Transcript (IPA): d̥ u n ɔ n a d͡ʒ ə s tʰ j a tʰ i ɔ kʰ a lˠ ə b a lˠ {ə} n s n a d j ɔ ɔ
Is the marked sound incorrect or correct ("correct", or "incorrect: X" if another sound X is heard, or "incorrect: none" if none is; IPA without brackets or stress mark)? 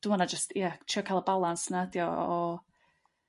incorrect: a